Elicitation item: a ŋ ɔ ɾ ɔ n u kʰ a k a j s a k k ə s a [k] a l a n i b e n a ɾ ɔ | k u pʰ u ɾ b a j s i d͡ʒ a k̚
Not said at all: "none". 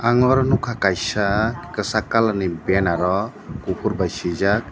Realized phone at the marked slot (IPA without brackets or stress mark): k